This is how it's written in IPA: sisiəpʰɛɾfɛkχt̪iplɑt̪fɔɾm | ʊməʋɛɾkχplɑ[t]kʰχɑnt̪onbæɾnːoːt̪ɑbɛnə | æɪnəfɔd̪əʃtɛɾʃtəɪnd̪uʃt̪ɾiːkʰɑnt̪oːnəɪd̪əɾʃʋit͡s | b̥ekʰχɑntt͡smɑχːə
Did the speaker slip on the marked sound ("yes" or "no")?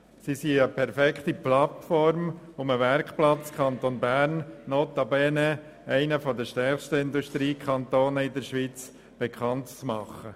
yes